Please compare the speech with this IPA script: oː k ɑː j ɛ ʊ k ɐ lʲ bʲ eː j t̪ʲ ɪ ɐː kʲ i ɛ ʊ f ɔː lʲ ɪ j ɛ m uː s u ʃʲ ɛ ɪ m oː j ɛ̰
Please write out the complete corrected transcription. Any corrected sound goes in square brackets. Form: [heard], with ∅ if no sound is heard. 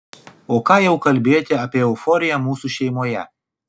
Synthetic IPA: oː k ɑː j ɛ ʊ k ɐ lʲ bʲ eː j t̪ʲ ɪ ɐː [pʲ] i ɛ ʊ f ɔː [ɾʲ] ɪ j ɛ m uː s u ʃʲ ɛ ɪ m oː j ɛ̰